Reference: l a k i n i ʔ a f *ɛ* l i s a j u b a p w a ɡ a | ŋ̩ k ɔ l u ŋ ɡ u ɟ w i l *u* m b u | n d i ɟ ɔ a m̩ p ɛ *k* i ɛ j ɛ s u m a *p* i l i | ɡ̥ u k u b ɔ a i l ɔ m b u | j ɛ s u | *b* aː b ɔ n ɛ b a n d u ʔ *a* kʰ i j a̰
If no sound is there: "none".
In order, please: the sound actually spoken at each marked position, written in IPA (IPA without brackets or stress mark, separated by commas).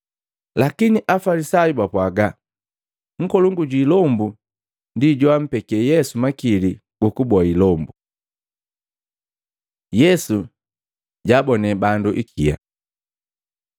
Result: a, ɔ, k, k, ɟ, i